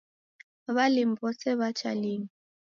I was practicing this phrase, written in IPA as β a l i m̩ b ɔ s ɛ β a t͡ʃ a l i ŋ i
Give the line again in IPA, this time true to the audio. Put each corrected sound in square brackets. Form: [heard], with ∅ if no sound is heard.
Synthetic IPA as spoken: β a l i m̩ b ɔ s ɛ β a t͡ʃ a l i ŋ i

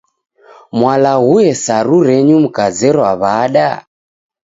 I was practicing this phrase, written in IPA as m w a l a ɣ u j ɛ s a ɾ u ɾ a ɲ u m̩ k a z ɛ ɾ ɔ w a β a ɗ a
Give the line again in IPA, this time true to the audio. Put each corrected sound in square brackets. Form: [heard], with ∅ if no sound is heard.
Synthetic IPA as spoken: m w a l a ɣ u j ɛ s a ɾ u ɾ [ɛ] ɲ u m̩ k a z ɛ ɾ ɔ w a β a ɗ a

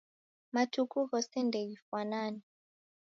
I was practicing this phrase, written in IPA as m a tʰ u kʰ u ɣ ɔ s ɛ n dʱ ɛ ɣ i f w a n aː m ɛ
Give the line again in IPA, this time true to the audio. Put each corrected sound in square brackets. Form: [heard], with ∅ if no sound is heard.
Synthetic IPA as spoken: m a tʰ u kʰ u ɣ ɔ s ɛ n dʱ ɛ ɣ i f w a n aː [n] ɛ

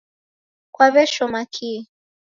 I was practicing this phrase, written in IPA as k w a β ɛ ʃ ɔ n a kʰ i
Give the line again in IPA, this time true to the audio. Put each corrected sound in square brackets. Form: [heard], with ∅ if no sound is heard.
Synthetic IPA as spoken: k w a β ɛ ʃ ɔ [m] a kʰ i

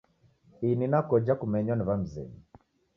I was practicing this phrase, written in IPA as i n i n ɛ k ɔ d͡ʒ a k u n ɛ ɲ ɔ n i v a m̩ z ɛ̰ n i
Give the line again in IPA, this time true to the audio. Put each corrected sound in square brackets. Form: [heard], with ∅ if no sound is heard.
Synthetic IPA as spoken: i n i n [a] k ɔ d͡ʒ a k u [m] ɛ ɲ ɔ n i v a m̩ z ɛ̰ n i

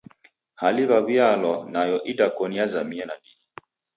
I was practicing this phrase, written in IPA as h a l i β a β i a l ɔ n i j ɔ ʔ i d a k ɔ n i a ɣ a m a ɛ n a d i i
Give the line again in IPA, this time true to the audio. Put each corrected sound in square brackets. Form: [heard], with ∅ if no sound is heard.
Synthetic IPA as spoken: h a l i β a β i a l ɔ n [a] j ɔ ʔ i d a k ɔ n i a [z] a m [i] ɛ n a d i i

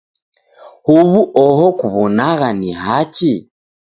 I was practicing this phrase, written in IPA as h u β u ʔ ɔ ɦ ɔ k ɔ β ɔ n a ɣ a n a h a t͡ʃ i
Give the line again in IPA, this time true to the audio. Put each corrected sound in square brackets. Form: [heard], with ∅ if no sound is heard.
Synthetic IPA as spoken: h u β u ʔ ɔ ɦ ɔ k [u] β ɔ n a ɣ a n [i] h a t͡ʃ i

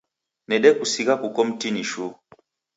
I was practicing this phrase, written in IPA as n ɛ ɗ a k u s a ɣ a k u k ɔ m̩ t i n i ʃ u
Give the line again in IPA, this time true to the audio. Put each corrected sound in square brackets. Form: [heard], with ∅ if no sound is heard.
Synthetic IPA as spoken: n ɛ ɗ [ɛ] k u s [i] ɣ a k u k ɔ m̩ t i n i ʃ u

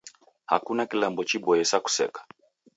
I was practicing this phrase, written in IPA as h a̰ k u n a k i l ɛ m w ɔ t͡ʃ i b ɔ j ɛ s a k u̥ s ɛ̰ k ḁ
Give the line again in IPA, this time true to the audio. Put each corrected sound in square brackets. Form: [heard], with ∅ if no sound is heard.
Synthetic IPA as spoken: h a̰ k u n a k i l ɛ m [b] ɔ t͡ʃ i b ɔ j ɛ s a k u̥ s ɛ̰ k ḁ

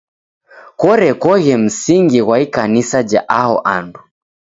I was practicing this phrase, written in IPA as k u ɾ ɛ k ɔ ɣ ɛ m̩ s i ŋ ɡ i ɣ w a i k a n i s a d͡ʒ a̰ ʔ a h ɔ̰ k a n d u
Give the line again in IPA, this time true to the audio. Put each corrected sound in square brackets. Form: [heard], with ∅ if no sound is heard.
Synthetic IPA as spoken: k [ɔ] ɾ ɛ k ɔ ɣ ɛ m̩ s i ŋ ɡ i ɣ w a i k a n i s a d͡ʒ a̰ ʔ a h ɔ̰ [ʔ] a n d u

